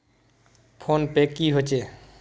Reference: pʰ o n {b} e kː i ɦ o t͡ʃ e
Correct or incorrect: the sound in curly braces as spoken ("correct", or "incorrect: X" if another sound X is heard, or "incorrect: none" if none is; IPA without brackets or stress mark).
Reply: incorrect: p